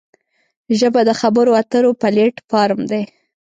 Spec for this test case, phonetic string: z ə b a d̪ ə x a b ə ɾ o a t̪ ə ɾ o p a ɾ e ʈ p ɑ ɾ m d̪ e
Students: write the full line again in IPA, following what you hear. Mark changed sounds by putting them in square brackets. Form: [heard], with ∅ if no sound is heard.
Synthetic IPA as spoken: [ʒ] ə b a d̪ ə x a b ə ɾ o a t̪ ə ɾ o p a [l] e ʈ p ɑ ɾ m d̪ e